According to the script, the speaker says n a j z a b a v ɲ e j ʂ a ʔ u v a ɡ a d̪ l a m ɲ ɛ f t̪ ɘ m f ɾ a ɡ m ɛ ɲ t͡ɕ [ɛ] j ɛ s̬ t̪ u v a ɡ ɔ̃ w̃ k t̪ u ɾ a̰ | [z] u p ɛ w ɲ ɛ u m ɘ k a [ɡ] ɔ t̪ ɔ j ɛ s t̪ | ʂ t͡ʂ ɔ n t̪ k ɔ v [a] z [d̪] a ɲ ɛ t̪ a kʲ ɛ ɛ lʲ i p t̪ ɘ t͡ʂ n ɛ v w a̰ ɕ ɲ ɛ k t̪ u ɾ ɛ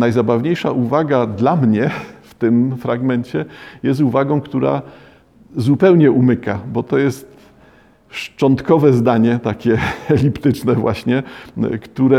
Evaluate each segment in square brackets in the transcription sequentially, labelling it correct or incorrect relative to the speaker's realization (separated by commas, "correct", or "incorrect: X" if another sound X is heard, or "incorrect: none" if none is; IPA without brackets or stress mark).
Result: correct, correct, incorrect: b, incorrect: ɛ, correct